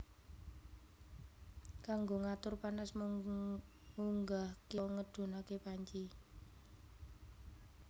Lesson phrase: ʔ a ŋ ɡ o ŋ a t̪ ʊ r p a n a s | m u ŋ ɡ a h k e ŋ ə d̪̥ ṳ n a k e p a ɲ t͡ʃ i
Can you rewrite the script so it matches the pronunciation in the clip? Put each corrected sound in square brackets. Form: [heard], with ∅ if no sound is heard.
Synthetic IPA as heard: [k] a ŋ ɡ o ŋ a t̪ ʊ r p a n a s | m u ŋ ɡ a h k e ŋ ə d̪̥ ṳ n a k e p a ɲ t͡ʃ i